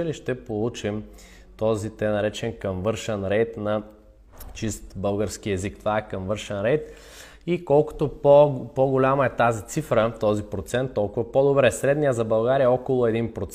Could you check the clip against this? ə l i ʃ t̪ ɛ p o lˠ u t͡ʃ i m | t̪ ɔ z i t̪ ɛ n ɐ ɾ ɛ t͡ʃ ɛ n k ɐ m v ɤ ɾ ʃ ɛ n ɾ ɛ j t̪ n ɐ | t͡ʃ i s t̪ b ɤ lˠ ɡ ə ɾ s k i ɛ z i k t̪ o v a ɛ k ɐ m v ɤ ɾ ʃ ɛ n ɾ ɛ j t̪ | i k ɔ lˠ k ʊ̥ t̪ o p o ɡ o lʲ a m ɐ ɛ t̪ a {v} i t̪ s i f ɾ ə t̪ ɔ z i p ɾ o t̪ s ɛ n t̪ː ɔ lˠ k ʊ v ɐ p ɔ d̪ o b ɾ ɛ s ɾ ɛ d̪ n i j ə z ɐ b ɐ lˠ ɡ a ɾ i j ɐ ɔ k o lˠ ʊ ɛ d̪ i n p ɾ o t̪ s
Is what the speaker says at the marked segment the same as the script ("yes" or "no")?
no